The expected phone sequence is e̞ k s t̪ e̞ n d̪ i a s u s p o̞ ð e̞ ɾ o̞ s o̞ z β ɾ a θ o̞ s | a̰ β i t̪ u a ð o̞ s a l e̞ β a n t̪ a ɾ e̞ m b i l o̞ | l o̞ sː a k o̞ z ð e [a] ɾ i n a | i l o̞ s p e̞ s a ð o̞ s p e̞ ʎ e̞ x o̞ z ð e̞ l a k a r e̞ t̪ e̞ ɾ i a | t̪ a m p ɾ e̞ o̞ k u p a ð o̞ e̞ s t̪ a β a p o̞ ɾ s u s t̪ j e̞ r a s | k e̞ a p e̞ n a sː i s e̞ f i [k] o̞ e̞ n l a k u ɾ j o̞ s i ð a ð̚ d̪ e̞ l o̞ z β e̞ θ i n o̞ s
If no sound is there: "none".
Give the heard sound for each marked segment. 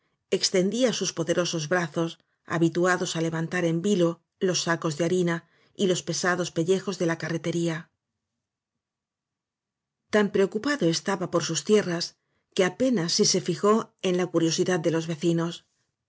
a, x

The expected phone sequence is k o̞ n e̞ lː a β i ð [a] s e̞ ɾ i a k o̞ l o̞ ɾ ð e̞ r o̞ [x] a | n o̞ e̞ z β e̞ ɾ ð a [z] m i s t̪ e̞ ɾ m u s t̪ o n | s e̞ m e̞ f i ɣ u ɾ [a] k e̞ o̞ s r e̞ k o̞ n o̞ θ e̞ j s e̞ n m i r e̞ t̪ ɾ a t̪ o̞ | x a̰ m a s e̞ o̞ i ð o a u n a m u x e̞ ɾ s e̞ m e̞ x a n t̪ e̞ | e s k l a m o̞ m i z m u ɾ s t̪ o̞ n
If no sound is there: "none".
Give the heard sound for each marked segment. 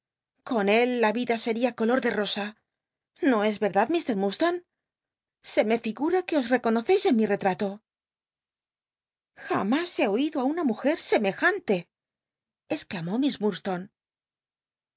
a, s, ð, a

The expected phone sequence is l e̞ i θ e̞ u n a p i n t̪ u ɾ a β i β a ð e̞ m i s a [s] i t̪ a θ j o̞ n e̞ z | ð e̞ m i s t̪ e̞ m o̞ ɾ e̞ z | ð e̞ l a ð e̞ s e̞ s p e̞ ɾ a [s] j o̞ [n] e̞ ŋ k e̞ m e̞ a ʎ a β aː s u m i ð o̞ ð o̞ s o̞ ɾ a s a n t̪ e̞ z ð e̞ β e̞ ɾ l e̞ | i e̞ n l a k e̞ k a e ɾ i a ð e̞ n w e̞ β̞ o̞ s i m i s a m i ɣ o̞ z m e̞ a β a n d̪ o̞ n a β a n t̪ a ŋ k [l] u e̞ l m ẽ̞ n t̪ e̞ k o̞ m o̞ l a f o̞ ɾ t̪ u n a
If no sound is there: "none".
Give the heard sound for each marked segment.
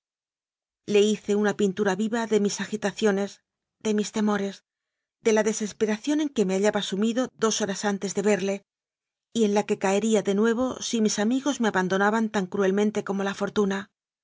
x, θ, n, ɾ

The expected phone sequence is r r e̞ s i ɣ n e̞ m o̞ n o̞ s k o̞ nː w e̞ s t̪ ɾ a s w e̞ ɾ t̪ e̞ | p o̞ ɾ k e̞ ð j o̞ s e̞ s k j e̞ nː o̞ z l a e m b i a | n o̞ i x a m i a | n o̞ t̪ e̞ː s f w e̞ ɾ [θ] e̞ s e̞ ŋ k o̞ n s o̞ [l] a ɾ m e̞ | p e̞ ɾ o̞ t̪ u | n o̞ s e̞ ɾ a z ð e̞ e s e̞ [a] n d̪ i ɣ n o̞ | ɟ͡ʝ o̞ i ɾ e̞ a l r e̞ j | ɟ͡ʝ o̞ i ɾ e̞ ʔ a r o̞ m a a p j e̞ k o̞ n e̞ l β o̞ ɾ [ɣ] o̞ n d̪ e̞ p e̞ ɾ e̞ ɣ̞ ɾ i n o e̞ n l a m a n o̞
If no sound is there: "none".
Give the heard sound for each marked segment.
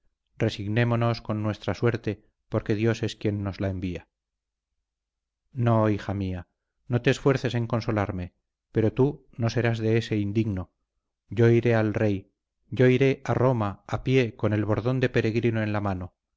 θ, l, i, ð

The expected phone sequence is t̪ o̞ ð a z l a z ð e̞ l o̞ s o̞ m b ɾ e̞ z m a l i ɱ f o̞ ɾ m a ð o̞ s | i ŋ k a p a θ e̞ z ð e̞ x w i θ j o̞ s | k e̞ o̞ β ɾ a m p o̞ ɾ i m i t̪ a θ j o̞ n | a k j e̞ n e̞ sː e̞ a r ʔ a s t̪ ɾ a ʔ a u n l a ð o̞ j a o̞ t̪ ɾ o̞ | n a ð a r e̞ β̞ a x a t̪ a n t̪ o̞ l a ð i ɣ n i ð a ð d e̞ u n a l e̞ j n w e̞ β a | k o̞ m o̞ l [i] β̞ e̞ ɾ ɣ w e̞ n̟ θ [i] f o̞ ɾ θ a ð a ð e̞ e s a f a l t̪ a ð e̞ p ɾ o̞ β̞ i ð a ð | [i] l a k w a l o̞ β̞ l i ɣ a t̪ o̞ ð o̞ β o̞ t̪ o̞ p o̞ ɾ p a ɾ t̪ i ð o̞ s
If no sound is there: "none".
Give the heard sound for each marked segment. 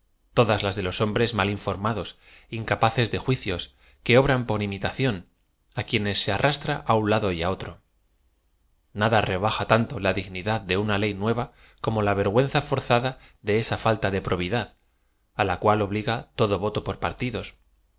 a, a, a

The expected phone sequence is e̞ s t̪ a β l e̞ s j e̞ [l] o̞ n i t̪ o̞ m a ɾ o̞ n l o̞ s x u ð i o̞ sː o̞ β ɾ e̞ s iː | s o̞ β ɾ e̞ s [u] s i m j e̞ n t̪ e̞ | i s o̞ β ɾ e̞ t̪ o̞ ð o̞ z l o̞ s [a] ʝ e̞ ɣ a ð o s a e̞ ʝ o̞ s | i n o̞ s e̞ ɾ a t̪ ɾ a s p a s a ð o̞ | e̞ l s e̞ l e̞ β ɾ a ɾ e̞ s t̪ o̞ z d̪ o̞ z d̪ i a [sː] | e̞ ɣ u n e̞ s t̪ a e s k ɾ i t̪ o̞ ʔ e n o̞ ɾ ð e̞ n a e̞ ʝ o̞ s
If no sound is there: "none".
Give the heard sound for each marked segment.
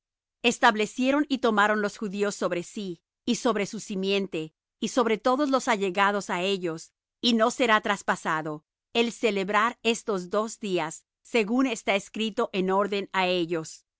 ɾ, u, a, sː

